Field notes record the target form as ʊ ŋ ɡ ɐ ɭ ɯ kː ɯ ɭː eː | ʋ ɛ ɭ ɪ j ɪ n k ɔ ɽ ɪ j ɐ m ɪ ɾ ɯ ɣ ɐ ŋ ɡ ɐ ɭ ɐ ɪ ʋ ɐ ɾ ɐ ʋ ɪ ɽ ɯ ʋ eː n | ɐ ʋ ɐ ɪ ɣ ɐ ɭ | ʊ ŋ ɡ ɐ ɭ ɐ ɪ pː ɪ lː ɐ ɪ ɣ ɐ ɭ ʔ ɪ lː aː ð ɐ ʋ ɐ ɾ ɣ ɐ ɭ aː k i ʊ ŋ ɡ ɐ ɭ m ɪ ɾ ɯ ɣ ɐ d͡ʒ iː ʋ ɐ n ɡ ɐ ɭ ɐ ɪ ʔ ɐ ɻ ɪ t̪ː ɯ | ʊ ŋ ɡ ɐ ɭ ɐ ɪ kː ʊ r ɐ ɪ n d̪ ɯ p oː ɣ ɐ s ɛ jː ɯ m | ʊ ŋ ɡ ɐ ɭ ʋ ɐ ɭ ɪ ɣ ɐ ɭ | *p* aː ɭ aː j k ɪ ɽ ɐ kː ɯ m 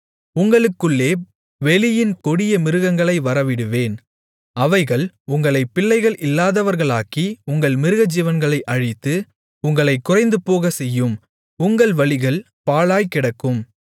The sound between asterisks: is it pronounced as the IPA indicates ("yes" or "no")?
yes